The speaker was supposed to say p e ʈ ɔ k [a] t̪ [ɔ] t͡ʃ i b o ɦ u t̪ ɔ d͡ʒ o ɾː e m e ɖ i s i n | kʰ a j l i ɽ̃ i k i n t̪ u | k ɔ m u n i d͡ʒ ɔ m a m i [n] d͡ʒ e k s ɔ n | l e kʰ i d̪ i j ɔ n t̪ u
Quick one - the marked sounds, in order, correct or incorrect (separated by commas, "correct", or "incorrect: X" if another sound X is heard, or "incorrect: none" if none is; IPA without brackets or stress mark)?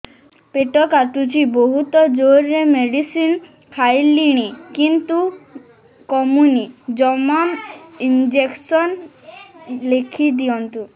correct, incorrect: u, correct